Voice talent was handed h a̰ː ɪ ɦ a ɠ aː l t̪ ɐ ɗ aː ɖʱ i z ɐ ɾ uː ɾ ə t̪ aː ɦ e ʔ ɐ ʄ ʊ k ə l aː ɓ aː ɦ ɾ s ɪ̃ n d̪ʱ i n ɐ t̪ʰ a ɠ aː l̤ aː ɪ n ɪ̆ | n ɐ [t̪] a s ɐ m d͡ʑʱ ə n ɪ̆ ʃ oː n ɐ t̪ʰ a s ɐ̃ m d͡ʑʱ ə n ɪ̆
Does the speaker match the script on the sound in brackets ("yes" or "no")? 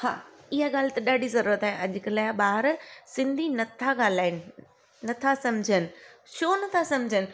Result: no